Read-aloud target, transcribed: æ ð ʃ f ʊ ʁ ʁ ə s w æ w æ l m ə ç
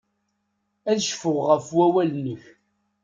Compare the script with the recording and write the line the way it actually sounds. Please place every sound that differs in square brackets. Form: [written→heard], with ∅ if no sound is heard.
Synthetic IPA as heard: æ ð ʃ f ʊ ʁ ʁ ə [s→f] w æ w æ l [m→n] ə ç